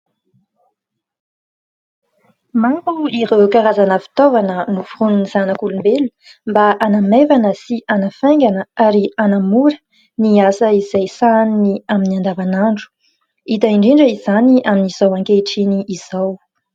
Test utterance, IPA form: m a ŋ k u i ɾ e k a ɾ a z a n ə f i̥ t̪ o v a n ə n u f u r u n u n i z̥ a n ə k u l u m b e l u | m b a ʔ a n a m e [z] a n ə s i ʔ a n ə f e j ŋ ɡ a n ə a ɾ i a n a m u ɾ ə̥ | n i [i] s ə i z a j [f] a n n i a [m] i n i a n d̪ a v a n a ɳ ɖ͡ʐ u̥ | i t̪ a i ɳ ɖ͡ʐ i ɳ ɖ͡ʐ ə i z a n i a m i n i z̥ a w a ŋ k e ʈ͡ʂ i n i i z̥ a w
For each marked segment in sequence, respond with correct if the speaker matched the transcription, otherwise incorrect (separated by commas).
incorrect, incorrect, incorrect, correct